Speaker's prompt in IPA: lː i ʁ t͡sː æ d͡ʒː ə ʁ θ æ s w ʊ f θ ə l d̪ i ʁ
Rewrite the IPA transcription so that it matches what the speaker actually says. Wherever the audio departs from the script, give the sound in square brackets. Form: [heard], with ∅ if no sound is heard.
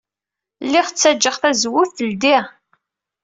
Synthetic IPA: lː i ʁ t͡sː æ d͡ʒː ə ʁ θ æ [z] w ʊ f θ ə l d̪ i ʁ